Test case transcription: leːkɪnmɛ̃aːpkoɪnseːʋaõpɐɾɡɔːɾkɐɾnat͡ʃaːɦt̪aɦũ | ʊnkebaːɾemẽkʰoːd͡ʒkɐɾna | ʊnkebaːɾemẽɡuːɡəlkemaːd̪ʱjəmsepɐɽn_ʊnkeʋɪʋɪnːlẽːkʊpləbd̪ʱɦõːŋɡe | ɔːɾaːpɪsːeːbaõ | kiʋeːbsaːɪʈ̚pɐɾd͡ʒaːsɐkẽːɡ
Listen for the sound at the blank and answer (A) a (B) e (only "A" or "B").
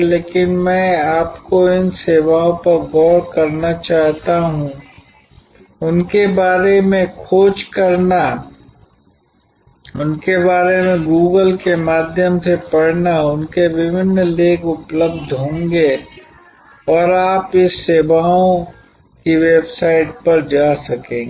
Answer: A